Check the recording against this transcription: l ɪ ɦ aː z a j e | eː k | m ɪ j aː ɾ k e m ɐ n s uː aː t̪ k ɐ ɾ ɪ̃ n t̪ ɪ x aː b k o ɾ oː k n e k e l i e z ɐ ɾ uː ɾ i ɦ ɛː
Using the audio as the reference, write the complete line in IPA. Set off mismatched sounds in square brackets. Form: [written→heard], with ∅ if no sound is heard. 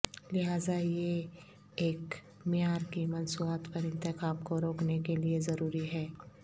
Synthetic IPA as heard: l ɪ ɦ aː z a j e | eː k | m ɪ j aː ɾ k [e→i] m ɐ n s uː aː t̪ [k→p] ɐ ɾ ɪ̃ n t̪ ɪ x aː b k o ɾ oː k n e k e l i e z ɐ ɾ uː ɾ i ɦ ɛː